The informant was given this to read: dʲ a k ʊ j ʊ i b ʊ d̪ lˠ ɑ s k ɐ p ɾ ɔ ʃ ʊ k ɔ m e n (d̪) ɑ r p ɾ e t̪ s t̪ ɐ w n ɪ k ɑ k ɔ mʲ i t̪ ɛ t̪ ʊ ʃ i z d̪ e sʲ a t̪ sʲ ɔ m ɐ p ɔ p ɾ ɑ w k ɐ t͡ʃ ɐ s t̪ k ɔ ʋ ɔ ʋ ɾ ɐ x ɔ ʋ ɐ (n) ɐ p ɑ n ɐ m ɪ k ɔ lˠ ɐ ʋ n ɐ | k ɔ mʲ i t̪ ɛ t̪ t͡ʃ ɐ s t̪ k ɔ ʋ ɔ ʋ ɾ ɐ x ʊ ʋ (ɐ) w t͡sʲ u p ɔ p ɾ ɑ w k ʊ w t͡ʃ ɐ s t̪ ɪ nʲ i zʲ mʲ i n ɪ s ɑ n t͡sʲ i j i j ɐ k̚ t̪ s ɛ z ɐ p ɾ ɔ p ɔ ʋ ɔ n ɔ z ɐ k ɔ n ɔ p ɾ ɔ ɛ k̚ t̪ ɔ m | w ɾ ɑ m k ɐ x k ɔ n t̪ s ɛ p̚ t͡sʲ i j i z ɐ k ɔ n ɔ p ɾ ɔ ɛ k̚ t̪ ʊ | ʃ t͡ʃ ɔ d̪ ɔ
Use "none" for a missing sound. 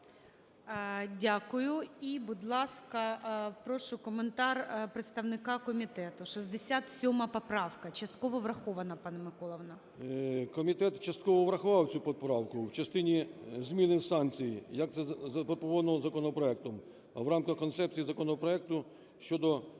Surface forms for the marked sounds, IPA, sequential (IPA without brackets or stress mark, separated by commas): t̪, n, ɑ